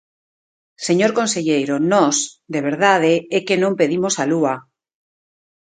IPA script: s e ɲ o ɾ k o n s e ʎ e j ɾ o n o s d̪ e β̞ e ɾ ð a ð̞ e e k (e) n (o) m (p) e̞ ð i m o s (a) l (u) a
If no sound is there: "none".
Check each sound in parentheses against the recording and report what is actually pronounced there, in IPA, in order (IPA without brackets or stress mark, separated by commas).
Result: e, õ, p, a, u